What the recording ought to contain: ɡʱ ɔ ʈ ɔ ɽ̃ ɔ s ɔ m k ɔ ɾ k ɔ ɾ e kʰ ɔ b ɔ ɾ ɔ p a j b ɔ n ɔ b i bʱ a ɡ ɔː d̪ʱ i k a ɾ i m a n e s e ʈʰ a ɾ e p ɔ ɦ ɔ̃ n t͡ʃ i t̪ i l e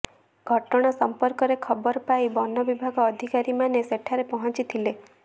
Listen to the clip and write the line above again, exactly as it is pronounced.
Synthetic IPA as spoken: ɡʱ ɔ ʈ ɔ ɽ̃ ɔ s ɔ m p ɔ ɾ k ɔ ɾ e kʰ ɔ b ɔ ɾ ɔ p a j b ɔ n ɔ b i bʱ a ɡ ɔː d̪ʱ i k a ɾ i m a n e s e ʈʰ a ɾ e p ɔ ɦ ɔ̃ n t͡ʃ i t̪ʰ i l e